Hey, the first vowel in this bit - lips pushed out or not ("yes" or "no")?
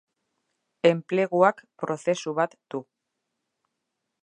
no